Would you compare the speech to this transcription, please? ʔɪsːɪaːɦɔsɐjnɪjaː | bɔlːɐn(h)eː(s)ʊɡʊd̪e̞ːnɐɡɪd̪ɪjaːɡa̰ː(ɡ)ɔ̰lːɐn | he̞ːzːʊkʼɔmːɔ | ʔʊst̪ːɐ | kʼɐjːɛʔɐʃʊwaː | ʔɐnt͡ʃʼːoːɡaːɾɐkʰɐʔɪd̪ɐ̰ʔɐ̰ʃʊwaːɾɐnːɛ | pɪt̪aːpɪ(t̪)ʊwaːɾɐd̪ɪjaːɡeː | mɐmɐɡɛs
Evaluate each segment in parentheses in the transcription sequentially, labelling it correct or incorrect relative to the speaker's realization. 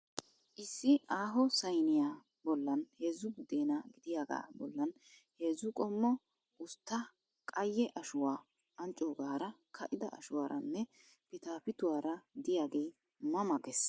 correct, incorrect: z, incorrect: b, correct

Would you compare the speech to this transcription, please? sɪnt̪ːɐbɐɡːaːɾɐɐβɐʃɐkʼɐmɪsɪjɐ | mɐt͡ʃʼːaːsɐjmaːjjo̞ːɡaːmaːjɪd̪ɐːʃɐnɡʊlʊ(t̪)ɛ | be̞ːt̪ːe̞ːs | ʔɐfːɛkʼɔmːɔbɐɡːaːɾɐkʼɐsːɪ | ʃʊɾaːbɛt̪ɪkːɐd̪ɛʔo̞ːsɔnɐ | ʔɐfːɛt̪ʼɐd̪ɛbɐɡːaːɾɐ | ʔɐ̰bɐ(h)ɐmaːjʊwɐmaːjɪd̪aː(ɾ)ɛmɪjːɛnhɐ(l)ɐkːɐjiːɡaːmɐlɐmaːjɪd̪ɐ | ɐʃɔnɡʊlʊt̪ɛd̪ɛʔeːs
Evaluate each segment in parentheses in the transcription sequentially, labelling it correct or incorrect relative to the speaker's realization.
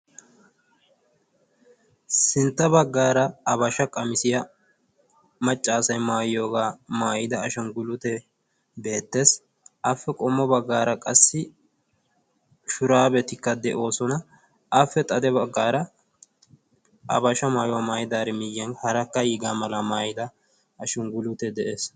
correct, incorrect: ʃ, correct, incorrect: ɾ

